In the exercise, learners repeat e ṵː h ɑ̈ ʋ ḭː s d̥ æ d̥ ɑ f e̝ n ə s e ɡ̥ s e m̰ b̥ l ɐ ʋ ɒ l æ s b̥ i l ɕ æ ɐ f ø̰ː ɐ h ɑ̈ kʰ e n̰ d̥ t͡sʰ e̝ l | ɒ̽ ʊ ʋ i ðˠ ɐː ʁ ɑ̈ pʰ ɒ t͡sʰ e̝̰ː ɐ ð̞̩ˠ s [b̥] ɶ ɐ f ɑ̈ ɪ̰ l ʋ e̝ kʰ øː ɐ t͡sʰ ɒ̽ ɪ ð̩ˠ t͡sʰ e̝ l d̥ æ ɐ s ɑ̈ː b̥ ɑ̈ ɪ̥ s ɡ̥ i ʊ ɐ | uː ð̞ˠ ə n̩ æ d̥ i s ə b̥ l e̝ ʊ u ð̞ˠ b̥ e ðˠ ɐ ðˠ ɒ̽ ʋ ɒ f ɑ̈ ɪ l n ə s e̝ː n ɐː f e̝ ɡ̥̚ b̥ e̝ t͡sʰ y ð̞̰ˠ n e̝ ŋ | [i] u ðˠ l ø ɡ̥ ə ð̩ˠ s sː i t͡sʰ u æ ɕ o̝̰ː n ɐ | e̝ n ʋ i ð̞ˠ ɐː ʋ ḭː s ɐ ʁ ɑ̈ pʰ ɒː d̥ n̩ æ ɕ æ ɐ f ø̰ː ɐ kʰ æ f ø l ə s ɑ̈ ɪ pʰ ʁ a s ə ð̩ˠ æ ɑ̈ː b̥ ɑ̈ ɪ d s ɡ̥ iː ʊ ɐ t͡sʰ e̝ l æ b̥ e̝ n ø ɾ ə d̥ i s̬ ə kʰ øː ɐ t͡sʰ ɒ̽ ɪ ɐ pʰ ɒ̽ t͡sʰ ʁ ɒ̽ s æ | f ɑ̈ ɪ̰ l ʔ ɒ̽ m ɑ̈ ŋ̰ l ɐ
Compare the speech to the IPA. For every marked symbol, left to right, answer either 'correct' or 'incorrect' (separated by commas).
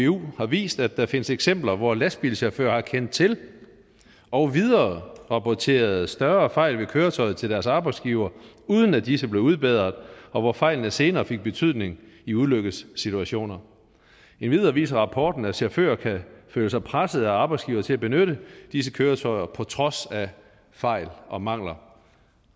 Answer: incorrect, correct